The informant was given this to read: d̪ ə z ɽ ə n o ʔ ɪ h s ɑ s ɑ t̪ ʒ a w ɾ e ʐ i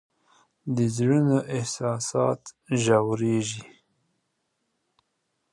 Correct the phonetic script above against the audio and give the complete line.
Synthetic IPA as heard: d̪ ə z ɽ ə n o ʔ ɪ h s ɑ s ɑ t̪ ʒ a w ɾ e ʒ i